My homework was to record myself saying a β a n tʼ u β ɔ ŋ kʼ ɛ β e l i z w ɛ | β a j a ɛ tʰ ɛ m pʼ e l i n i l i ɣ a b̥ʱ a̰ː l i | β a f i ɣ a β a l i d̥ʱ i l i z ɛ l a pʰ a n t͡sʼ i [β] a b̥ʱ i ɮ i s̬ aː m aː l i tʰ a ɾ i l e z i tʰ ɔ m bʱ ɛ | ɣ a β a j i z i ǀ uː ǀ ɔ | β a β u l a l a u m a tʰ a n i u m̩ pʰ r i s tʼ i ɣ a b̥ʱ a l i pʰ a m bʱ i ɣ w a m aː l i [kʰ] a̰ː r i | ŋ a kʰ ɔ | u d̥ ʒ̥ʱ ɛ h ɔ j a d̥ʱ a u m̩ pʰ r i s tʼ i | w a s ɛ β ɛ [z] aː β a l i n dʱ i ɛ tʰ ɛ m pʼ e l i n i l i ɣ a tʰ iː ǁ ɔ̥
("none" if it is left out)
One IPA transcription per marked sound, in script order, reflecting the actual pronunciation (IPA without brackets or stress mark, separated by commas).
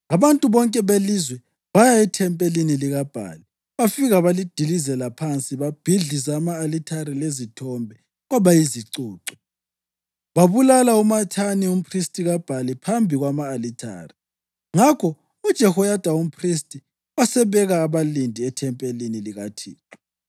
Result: β, tʰ, ɣ